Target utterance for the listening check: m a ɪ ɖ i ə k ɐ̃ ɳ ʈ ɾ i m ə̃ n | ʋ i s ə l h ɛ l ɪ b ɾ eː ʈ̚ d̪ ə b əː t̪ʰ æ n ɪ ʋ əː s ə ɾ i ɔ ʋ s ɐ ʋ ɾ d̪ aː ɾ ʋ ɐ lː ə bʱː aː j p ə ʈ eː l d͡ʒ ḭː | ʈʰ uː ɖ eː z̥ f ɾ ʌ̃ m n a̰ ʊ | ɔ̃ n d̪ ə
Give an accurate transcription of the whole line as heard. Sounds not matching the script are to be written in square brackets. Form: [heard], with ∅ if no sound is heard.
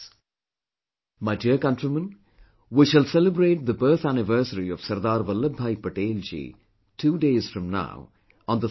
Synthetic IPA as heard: m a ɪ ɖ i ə k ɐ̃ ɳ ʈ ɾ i m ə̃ n | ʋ i [ʃ] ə l [s] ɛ l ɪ b ɾ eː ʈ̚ d̪ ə b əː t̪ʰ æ n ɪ ʋ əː s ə ɾ i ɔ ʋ s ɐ [∅] ɾ d̪ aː ɾ ʋ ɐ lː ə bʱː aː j p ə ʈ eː l d͡ʒ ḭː | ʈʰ uː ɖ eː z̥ f ɾ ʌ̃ m n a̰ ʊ | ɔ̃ n d̪ ə